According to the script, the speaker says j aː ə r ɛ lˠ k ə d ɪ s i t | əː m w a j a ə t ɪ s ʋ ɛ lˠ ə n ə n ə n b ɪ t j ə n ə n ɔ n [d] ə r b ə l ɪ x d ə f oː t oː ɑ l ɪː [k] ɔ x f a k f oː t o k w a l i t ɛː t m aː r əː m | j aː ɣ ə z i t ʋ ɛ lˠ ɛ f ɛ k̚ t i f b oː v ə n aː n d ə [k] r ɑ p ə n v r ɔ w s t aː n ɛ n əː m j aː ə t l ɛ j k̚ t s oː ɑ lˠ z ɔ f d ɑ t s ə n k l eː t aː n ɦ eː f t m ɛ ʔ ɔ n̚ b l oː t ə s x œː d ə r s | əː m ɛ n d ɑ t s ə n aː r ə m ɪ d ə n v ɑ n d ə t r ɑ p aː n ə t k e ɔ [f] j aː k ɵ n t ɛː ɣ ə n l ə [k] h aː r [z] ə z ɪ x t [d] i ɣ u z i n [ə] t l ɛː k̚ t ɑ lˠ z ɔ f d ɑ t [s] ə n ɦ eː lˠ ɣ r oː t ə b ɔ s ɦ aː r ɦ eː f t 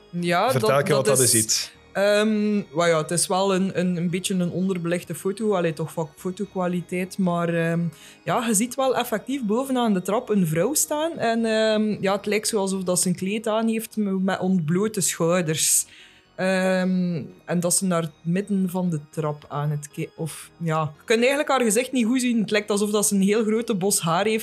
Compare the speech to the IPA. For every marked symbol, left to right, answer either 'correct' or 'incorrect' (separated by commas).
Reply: correct, incorrect, incorrect, correct, correct, incorrect, incorrect, correct, correct